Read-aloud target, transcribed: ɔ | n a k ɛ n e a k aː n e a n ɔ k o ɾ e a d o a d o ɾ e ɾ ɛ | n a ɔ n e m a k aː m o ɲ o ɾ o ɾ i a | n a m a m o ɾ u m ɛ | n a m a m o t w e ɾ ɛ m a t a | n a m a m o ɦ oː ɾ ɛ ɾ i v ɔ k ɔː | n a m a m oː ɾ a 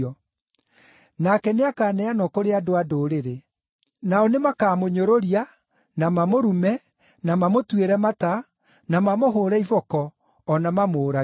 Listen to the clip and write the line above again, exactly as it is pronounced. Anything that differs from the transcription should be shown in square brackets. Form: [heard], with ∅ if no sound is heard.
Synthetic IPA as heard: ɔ | n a k ɛ n e a k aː n [ɛ] a n ɔ k o ɾ e a d o a d o ɾ e ɾ [e] | n a ɔ n e m a k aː m o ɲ o ɾ o ɾ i a | n a m a m o ɾ u m ɛ | n a m a m o t w e ɾ ɛ m a t a | n a m a m o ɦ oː ɾ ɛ [∅] i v ɔ k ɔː | n a m a m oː ɾ a